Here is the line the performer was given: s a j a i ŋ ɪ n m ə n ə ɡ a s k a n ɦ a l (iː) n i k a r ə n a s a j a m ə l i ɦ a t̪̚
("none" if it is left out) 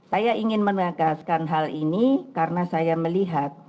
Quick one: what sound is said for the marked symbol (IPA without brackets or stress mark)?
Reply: i